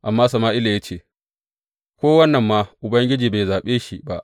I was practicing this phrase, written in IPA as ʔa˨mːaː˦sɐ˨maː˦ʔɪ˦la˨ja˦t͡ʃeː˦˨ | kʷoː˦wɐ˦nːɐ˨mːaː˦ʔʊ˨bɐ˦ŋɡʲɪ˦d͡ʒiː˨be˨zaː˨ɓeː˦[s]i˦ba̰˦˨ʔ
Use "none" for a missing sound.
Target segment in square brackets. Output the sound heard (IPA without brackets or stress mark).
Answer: ʃ